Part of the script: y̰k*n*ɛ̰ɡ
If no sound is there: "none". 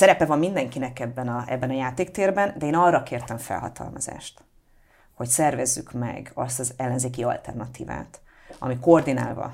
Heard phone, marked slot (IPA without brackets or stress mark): m